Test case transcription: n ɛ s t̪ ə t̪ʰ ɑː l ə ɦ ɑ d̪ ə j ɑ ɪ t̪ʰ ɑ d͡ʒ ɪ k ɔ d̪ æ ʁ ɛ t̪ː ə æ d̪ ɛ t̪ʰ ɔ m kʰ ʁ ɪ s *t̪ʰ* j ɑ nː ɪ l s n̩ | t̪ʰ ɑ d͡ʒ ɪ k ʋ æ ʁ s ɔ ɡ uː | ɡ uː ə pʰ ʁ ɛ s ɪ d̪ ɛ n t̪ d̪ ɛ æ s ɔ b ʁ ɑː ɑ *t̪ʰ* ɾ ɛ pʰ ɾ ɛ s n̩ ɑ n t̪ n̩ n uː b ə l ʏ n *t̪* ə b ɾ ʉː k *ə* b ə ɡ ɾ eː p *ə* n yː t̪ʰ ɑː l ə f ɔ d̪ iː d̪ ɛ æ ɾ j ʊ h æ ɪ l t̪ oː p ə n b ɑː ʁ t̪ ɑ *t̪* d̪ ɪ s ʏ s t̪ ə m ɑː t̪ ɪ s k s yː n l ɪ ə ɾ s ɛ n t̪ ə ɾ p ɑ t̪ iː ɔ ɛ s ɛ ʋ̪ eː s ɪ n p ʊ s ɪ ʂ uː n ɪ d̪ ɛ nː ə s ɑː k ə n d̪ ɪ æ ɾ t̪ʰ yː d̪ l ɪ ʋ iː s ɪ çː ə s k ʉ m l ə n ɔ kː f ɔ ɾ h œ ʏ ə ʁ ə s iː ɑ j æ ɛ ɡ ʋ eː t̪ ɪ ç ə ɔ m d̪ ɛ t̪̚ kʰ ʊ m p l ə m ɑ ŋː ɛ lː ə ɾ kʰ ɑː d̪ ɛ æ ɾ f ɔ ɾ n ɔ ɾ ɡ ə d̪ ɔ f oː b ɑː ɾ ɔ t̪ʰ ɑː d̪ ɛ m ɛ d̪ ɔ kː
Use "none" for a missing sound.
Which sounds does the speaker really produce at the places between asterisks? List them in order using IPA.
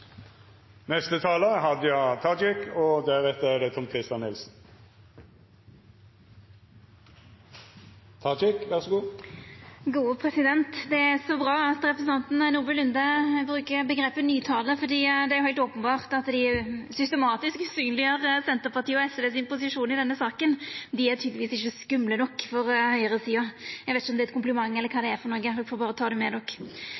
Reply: t̪, t̪, d̪, ə, ə, t̪

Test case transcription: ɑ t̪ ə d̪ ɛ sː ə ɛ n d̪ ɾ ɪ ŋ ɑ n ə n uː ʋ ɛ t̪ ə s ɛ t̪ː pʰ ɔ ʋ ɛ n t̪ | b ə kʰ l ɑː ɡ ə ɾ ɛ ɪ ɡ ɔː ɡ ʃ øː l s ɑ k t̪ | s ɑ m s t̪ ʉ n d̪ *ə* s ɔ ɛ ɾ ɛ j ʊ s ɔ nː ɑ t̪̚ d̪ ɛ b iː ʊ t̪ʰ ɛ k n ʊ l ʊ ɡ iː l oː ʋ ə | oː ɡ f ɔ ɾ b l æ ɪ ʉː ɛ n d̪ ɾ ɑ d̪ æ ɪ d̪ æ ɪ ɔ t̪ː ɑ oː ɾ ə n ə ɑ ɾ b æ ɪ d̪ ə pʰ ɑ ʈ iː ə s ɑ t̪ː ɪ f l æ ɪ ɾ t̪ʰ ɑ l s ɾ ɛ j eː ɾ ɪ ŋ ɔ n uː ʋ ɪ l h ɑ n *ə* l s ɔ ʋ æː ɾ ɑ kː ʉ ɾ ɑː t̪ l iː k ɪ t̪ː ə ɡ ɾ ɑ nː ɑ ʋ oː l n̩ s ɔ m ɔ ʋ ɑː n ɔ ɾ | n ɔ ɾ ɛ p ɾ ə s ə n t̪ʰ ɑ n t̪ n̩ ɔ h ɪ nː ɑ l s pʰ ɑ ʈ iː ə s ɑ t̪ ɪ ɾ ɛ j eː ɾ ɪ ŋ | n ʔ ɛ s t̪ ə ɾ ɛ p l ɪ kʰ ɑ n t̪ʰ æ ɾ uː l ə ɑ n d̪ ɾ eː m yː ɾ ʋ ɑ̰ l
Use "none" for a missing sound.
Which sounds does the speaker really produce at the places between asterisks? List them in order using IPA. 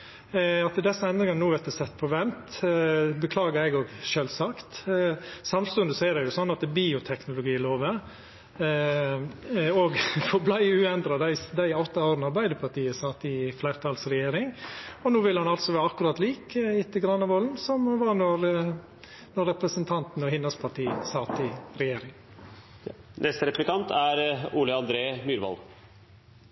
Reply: ə, ɑ

